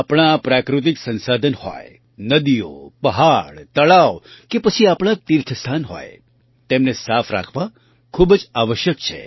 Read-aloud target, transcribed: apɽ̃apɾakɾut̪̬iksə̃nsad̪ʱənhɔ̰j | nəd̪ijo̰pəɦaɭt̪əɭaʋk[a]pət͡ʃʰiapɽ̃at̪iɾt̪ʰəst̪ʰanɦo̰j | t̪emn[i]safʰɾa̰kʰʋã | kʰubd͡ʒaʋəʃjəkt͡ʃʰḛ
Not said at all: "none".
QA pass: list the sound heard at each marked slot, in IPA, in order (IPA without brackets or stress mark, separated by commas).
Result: e, e